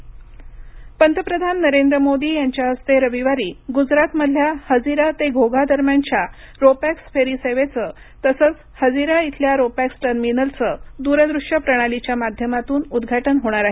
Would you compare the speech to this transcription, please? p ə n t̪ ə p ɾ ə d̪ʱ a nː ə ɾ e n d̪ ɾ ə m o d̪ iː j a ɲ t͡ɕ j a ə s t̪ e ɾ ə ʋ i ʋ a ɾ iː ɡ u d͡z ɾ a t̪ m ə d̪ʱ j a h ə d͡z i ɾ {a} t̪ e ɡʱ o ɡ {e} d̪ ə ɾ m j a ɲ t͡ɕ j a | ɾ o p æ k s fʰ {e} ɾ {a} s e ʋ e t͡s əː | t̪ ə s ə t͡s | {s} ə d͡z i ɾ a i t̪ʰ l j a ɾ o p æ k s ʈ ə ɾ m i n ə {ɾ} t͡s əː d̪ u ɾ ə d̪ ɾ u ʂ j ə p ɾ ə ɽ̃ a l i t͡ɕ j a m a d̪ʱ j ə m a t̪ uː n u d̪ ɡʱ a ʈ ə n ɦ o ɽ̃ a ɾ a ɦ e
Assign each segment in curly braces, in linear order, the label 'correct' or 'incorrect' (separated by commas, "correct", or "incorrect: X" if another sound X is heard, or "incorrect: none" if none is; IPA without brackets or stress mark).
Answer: correct, incorrect: a, correct, incorrect: i, incorrect: h, incorrect: l